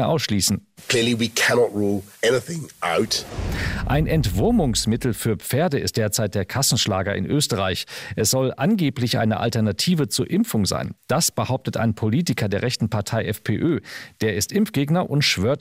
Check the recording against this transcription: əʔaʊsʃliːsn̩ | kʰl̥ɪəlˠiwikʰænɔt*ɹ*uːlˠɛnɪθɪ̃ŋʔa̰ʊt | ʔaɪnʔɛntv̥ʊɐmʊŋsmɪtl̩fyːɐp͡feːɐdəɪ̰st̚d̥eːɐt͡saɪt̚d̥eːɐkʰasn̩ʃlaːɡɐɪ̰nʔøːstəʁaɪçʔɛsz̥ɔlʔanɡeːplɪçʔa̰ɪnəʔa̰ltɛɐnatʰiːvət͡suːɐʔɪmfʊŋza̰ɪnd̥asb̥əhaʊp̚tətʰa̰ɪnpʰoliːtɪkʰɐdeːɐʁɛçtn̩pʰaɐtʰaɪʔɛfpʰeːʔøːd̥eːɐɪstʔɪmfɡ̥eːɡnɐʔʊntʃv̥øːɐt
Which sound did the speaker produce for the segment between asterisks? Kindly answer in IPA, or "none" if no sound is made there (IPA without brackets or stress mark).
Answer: ɹ